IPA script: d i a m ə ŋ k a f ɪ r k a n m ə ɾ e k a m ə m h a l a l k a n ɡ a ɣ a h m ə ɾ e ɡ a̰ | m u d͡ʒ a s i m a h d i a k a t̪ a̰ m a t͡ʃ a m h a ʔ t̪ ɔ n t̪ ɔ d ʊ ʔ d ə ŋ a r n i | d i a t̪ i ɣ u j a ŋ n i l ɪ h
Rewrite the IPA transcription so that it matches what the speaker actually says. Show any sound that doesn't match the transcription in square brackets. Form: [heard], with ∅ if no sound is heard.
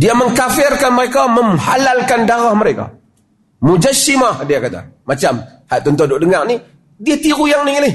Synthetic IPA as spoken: d i a m ə ŋ k a f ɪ r k a n m ə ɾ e k a m ə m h a l a l k a n [d] a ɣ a h m ə ɾ e [k] a̰ | m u d͡ʒ a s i m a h d i a k a t̪ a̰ m a t͡ʃ a m h a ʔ t̪ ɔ n t̪ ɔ d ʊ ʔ d ə ŋ a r n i | d i a t̪ i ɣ u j a ŋ n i l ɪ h